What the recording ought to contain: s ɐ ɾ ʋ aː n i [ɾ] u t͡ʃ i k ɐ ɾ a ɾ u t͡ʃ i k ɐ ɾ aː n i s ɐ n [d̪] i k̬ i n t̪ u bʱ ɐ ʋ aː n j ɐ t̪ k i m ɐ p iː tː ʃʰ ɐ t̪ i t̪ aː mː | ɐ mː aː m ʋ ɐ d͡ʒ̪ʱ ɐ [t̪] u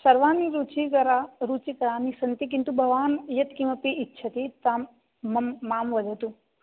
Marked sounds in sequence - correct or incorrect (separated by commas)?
correct, incorrect, correct